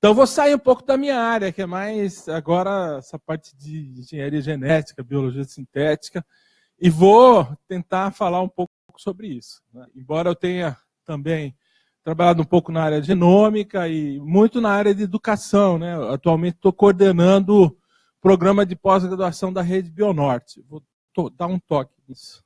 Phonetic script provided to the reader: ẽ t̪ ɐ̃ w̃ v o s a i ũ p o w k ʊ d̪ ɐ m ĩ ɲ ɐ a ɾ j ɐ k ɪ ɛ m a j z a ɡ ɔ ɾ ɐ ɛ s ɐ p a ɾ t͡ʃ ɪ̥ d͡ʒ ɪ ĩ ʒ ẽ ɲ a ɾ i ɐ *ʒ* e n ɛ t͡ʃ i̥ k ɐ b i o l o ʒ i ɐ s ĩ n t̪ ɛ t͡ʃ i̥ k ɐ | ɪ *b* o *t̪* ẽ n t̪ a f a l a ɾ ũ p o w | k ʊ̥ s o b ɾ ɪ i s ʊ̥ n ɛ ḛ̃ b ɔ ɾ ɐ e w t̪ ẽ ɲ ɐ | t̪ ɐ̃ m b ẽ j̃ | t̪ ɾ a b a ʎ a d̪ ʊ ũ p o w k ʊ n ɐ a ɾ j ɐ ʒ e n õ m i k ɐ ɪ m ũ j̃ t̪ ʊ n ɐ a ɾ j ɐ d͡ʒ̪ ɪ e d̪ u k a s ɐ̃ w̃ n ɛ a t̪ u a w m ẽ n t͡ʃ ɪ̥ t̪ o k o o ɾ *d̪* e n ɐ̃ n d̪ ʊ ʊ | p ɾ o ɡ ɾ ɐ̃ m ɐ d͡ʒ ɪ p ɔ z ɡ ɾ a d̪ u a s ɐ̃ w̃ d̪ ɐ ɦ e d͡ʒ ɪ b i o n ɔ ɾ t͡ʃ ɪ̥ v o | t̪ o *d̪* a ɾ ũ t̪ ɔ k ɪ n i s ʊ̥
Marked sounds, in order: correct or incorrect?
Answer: correct, incorrect, correct, correct, correct

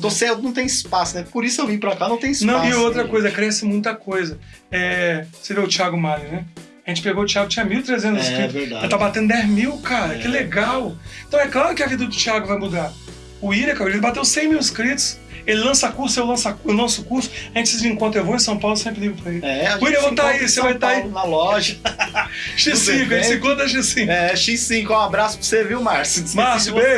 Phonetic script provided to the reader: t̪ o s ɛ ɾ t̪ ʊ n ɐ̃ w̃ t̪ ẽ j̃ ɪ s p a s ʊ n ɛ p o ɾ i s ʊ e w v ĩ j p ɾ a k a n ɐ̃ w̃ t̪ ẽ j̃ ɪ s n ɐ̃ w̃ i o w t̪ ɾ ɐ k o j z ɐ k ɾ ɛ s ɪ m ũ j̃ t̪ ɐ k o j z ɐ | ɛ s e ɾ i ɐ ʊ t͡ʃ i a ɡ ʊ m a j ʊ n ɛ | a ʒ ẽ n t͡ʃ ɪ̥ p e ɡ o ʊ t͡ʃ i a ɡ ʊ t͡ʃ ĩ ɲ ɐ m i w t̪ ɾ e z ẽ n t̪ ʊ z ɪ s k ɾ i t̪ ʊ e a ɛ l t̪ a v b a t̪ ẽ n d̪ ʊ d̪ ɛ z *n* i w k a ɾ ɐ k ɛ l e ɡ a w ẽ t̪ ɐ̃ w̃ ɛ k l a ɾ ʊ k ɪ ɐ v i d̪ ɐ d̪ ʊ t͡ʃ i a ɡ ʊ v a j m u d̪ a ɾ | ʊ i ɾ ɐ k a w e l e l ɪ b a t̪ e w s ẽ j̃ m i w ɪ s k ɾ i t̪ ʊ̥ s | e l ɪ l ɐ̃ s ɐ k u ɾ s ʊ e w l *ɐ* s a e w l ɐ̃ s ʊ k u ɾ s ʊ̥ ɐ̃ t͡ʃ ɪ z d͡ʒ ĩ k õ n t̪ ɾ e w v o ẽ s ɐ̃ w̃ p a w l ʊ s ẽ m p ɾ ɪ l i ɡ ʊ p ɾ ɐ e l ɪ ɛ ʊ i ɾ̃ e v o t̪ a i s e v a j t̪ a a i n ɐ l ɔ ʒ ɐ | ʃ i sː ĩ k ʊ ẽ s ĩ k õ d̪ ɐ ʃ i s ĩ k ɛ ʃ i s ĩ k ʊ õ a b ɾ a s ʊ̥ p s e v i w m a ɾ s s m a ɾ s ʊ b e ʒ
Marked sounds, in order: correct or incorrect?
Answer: incorrect, incorrect

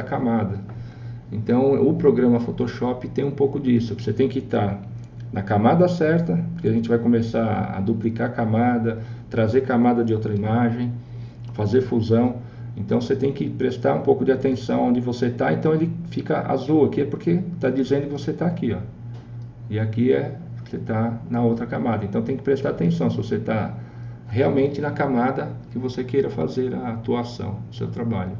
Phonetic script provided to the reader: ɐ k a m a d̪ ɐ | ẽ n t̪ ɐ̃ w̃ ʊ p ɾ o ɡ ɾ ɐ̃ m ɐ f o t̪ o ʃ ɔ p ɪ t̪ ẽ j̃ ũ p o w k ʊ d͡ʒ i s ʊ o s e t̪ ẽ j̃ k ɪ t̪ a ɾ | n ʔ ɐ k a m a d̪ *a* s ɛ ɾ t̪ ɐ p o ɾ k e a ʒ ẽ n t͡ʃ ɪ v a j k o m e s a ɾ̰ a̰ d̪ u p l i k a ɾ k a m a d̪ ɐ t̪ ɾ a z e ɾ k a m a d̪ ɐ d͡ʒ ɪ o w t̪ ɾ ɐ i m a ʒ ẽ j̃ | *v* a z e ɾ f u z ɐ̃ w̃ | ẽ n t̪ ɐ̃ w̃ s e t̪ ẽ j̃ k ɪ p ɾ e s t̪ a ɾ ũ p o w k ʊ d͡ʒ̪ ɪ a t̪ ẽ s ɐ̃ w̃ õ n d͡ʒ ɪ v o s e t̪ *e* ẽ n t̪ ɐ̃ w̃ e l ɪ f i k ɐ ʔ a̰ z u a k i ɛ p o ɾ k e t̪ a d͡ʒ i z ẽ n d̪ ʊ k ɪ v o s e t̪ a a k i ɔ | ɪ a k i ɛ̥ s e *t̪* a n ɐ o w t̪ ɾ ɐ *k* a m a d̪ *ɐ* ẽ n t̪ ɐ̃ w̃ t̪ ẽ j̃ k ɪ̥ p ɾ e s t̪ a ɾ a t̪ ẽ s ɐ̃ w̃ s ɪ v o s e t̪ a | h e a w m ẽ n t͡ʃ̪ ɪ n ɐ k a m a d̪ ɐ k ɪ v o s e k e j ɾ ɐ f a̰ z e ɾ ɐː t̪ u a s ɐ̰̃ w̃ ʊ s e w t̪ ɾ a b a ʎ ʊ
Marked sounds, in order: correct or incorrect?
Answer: incorrect, incorrect, incorrect, correct, correct, correct

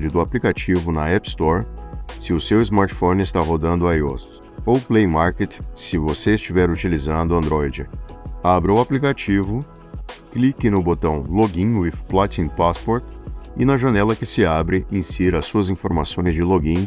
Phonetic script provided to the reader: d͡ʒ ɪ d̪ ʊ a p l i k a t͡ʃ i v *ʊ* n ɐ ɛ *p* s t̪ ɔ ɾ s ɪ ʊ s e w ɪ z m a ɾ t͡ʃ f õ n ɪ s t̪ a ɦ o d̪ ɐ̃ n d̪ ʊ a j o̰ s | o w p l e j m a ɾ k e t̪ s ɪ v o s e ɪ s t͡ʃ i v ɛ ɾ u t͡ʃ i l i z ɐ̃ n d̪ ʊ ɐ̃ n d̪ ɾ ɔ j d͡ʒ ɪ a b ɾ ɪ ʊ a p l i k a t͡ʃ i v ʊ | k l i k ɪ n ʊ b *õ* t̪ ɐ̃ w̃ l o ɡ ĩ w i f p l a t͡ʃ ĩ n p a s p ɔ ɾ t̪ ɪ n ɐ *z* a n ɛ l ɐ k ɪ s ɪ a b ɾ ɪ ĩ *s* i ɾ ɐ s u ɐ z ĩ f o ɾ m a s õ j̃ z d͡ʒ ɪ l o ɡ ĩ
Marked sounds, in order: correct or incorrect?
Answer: correct, correct, incorrect, incorrect, correct

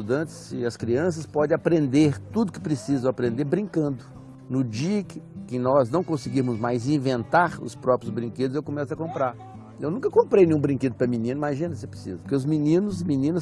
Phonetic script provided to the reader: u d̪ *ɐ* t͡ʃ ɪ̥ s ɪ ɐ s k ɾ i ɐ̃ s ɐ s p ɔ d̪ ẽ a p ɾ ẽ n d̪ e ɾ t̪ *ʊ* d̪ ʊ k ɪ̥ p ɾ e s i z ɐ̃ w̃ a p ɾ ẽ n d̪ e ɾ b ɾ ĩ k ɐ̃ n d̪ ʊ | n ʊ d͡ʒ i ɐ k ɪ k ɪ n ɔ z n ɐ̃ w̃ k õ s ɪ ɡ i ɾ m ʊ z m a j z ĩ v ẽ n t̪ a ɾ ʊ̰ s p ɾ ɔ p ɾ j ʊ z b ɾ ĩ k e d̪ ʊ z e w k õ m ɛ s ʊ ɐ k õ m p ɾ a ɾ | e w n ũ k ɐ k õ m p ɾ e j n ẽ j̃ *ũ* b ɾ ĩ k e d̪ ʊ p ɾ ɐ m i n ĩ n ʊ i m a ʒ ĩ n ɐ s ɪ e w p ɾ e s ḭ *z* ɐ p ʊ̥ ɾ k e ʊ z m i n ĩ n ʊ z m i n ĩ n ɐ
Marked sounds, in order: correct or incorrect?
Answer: incorrect, incorrect, correct, correct

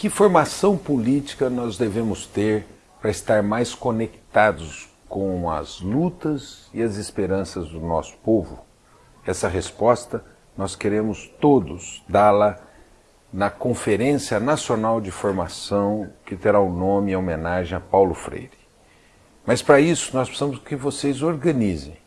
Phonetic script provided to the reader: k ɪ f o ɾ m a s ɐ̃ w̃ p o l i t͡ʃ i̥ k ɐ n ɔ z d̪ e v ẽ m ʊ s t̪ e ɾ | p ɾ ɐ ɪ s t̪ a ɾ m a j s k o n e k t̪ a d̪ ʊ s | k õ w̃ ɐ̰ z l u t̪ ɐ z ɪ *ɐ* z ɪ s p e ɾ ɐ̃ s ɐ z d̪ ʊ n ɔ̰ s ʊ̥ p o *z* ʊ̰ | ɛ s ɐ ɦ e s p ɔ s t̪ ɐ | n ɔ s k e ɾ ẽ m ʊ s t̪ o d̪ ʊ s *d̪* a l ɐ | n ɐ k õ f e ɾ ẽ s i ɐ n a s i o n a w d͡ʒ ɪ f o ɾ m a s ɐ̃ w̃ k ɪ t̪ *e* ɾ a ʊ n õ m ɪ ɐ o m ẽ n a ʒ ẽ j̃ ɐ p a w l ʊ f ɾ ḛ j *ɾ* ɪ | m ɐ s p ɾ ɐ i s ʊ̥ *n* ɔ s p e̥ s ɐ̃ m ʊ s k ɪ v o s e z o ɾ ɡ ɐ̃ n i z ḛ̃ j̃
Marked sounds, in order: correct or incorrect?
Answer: correct, incorrect, correct, correct, correct, correct

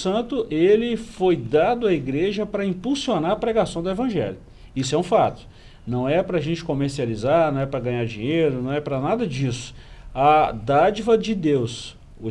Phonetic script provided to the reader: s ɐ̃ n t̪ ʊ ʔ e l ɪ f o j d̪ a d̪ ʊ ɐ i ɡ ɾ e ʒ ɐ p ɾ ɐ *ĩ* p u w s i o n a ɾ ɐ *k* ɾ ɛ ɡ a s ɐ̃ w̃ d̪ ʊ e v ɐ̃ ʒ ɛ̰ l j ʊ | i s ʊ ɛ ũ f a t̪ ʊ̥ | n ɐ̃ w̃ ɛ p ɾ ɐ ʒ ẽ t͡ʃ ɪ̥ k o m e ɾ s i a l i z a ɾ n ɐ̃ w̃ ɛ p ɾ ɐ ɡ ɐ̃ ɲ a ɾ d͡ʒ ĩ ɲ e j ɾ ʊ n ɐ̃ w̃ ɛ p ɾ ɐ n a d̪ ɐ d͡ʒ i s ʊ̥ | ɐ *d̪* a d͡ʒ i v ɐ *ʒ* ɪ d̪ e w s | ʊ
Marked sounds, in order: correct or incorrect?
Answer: correct, incorrect, correct, incorrect

